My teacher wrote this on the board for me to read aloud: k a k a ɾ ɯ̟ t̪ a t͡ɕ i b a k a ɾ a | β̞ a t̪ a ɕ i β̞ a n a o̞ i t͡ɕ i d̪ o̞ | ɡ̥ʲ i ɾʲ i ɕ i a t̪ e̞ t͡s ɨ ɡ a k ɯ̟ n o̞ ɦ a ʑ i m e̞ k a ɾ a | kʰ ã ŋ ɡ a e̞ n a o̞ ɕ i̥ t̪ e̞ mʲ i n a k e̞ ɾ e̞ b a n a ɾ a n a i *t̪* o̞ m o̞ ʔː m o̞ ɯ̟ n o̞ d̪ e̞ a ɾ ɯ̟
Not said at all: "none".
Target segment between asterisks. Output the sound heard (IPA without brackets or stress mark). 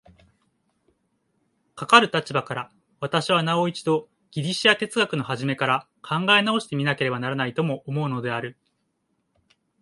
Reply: t̪